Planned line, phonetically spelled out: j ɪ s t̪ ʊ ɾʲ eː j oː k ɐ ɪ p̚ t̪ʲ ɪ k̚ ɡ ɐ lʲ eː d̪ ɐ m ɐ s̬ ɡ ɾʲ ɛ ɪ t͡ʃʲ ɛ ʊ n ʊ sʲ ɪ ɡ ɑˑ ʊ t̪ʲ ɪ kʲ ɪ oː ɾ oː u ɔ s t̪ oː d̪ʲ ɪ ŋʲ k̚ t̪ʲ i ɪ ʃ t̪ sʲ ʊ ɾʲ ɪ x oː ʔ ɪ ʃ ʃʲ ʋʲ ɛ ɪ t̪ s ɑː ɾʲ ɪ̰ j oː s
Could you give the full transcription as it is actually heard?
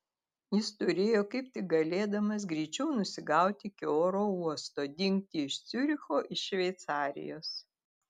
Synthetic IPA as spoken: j ɪ s t̪ ʊ ɾʲ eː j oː k ɐ ɪ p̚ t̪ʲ ɪ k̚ ɡ ɐ lʲ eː d̪ ɐ m ɐ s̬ ɡ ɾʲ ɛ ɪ t͡ʃʲ ɛ ʊ n ʊ sʲ ɪ ɡ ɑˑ ʊ t̪ʲ ɪ kʲ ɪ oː ɾ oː u ɔ s t̪ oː d̪ʲ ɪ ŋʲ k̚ t̪ʲ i ɪ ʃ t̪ sʲ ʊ ɾʲ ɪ x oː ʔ ɪ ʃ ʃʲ ʋʲ ɛ ɪ t̪ s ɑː ɾʲ ɪ̰ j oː s